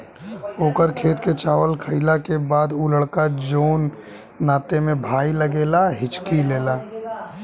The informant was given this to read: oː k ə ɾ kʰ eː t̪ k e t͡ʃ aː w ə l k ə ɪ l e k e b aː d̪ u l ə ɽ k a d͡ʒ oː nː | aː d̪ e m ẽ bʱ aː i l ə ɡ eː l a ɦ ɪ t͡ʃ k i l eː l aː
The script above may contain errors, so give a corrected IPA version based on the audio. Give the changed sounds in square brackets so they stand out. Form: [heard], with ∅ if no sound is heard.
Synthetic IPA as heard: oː k ə ɾ kʰ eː t̪ k e t͡ʃ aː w ə l [kʰ] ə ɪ l [a] k e b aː d̪ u l ə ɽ k a d͡ʒ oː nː | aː [t̪] e m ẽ bʱ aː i l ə ɡ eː l a ɦ ɪ t͡ʃ k i l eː l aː